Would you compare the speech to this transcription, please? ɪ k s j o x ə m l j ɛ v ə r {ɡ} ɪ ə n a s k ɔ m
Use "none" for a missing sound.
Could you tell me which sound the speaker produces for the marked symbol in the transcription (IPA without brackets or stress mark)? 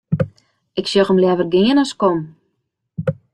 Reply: ɡ